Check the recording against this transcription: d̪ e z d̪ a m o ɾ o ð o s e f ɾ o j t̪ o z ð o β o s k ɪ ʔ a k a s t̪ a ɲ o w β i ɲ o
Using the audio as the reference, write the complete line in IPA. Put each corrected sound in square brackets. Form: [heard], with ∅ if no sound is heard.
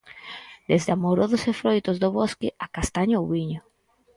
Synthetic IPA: d̪ e z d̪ a m o ɾ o ð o s e f ɾ o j t̪ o z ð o β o s k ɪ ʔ a k a s t̪ a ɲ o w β i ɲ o